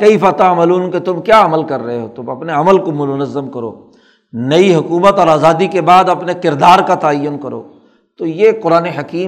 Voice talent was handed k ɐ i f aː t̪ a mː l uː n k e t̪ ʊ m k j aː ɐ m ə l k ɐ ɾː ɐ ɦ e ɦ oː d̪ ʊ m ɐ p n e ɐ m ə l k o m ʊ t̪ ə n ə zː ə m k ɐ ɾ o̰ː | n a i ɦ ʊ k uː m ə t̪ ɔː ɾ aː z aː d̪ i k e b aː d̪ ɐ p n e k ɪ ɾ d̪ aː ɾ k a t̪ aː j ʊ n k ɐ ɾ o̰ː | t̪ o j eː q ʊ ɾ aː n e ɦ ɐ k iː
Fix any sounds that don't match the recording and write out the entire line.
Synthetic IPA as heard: k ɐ i f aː t̪ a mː l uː n k e t̪ ʊ m k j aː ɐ m ə l k ɐ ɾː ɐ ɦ e ɦ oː t̪ ʊ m ɐ p n e ɐ m ə l k o m ʊ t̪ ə n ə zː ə m k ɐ ɾ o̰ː | n ɐ i ɦ ʊ k uː m ə t̪ ɔː ɾ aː z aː d̪ i k e b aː d̪ ɐ p n e k ɪ ɾ d̪ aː ɾ k a t̪ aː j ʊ n k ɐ ɾ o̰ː | t̪ o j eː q ʊ ɾ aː n e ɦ ɐ k iː